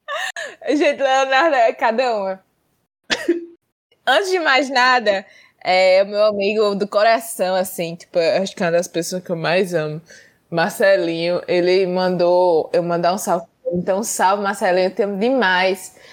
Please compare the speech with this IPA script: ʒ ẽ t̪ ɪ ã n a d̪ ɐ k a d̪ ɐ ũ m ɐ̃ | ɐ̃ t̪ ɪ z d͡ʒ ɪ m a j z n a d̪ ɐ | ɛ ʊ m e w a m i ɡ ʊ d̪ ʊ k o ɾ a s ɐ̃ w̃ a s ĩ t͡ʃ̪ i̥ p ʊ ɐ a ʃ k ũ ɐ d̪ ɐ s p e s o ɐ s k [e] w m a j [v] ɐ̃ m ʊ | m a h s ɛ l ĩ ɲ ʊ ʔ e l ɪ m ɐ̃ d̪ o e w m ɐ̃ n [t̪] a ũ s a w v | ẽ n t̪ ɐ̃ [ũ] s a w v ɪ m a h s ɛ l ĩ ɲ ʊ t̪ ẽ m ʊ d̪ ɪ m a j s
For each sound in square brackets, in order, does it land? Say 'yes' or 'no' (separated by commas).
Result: yes, no, no, no